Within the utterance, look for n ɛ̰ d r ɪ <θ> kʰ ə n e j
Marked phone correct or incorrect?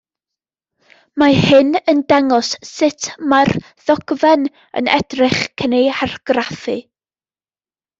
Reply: incorrect: χ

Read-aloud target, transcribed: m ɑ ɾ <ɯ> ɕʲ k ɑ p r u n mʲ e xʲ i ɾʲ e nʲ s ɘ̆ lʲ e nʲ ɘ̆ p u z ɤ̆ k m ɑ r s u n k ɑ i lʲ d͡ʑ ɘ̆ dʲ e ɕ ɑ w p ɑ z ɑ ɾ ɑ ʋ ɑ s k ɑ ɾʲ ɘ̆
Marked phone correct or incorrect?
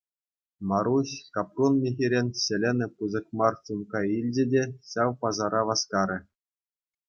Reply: incorrect: u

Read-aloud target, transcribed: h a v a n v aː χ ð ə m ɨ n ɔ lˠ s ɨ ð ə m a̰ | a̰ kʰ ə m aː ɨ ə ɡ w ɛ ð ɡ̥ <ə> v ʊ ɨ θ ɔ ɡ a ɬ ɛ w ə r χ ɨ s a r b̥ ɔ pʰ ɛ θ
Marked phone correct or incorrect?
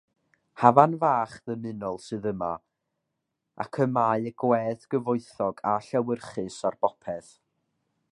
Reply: correct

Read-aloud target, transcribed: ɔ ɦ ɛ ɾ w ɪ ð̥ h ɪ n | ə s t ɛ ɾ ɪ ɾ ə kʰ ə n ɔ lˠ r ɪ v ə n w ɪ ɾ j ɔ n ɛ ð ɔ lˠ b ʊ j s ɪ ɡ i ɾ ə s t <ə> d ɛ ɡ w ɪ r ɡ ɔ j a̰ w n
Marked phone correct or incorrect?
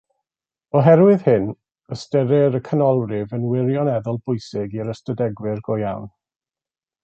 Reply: correct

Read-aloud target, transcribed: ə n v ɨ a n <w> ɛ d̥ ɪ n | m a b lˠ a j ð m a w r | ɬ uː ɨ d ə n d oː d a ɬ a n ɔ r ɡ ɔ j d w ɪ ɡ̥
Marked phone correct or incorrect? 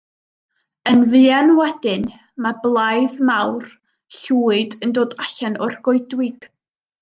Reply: correct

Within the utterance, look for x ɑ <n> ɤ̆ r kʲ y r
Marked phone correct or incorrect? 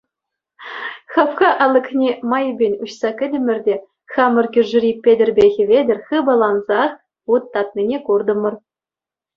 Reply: incorrect: m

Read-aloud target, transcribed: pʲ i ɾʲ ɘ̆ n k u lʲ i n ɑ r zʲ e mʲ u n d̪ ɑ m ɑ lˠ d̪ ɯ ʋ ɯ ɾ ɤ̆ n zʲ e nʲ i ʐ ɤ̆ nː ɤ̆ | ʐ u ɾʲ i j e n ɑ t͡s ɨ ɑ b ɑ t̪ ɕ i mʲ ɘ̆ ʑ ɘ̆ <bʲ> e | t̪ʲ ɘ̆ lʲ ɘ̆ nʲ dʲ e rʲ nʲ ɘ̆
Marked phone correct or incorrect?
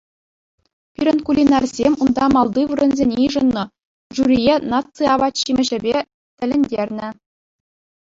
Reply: correct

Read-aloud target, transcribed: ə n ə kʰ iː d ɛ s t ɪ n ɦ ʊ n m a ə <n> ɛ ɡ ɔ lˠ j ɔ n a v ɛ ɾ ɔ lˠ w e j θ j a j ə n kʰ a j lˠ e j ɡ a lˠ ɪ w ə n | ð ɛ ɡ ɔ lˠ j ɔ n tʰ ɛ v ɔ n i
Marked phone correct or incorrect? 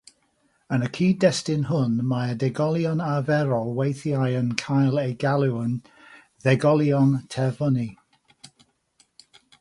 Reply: incorrect: d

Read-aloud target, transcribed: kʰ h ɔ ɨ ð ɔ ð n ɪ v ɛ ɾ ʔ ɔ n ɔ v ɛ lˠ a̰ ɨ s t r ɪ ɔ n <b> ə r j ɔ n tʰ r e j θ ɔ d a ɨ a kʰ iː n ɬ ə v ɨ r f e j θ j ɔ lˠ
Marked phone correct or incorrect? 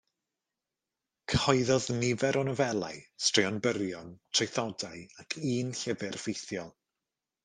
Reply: correct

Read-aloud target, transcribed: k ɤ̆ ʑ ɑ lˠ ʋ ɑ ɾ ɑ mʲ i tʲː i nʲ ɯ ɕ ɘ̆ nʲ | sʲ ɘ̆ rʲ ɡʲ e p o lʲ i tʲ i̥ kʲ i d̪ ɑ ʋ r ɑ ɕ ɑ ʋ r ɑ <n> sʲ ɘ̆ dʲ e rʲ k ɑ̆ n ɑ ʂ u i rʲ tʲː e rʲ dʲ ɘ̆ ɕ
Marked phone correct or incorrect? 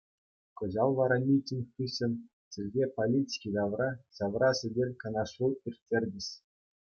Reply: incorrect: none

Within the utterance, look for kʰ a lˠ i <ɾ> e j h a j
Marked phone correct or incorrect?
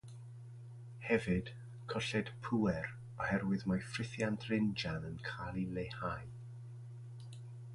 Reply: incorrect: l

